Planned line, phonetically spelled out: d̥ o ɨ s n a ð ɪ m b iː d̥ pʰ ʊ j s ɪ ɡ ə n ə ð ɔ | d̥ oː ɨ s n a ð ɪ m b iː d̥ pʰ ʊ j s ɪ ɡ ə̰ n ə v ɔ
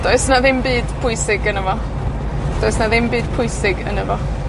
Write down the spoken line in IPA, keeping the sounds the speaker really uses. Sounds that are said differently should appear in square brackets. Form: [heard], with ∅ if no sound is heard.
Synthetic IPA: d̥ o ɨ s n a ð ɪ m b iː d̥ pʰ ʊ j s ɪ ɡ ə n ə [v] ɔ | d̥ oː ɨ s n a ð ɪ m b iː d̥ pʰ ʊ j s ɪ ɡ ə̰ n ə v ɔ